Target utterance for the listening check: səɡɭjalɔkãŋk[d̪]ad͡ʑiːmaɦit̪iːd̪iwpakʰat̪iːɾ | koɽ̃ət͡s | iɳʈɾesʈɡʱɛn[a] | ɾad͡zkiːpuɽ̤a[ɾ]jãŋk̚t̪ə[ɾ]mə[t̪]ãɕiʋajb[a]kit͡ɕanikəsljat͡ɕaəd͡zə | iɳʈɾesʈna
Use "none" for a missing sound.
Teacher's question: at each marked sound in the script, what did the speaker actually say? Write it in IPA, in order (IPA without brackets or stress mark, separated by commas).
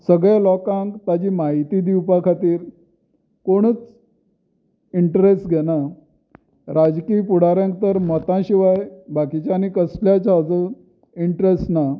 t̪, a, ɾ, ɾ, t̪, a